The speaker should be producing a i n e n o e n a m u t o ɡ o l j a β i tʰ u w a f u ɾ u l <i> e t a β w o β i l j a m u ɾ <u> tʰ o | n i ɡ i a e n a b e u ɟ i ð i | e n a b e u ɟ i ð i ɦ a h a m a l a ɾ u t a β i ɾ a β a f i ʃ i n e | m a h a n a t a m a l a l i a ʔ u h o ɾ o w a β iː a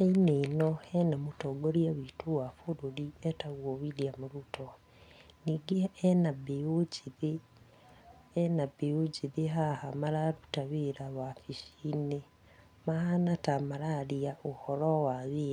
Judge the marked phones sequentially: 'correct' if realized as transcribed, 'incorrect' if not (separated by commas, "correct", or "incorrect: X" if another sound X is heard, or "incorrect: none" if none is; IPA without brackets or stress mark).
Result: correct, correct